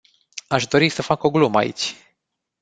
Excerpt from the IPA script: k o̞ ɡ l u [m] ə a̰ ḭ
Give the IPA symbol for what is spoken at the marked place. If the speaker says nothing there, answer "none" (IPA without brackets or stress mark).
m